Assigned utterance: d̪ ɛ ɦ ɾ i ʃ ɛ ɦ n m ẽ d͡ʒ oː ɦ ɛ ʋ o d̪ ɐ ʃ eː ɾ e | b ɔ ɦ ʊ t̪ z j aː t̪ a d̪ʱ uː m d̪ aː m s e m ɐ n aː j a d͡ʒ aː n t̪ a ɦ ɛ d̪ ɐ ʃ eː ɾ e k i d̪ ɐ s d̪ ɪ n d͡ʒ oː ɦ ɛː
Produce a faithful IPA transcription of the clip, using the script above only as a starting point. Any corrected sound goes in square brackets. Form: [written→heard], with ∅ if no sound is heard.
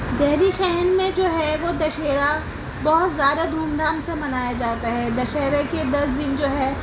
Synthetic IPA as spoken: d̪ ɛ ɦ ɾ i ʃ ɛ ɦ n m ẽ d͡ʒ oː ɦ ɛ ʋ o d̪ ɐ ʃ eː ɾ [e→a] | b ɔ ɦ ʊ t̪ z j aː [t̪→d̪] a d̪ʱ uː m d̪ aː m s e m ɐ n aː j a d͡ʒ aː [n→∅] t̪ a ɦ ɛ d̪ ɐ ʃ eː ɾ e k [i→e] d̪ ɐ s d̪ ɪ n d͡ʒ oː ɦ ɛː